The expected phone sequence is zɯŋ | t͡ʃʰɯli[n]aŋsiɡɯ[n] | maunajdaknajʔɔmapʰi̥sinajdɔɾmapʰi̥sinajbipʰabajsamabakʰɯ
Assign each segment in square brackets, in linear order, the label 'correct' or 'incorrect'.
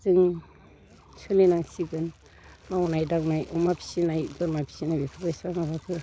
correct, correct

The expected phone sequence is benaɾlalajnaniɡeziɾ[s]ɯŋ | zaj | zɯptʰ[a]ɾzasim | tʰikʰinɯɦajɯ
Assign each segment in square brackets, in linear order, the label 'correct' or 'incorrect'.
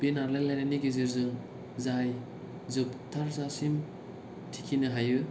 incorrect, correct

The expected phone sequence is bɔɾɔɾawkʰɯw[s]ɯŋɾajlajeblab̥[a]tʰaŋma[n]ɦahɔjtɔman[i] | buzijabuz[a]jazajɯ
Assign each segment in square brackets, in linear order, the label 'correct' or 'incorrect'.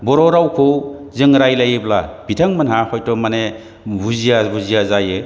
incorrect, incorrect, correct, incorrect, incorrect

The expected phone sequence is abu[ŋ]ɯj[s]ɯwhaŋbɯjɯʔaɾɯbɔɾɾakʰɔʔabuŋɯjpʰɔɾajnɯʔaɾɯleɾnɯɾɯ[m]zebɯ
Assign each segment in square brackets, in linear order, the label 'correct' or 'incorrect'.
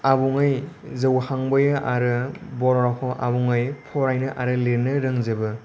correct, incorrect, incorrect

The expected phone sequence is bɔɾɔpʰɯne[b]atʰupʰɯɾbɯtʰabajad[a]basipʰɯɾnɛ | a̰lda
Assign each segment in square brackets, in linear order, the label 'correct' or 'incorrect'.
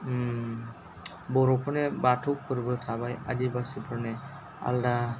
correct, incorrect

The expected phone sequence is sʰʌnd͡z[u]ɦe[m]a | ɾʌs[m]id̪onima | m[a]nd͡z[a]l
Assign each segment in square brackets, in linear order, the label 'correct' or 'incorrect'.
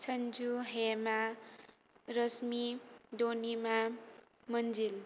correct, correct, correct, incorrect, incorrect

